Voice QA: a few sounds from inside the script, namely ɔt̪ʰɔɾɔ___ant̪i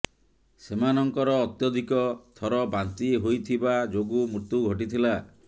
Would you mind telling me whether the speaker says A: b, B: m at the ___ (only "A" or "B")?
A